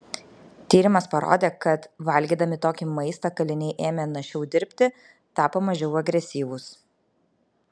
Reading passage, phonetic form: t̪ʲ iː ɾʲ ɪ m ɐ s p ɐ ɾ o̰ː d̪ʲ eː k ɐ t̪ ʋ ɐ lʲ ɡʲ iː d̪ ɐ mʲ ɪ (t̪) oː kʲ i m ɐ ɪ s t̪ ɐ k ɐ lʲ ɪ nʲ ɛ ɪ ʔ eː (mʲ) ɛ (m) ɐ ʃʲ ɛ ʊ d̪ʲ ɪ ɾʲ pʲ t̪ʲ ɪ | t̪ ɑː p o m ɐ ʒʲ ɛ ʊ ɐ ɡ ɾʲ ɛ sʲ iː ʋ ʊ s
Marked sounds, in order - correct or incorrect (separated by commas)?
correct, correct, incorrect